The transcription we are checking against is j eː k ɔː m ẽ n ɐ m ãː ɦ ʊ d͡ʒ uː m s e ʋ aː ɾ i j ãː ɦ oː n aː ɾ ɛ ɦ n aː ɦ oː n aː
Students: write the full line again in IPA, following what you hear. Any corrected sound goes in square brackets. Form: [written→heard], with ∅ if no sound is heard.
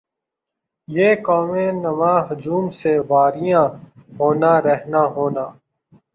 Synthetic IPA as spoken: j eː k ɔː m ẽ n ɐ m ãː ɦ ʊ d͡ʒ uː m s e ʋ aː ɾ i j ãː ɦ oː n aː ɾ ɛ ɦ n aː ɦ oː n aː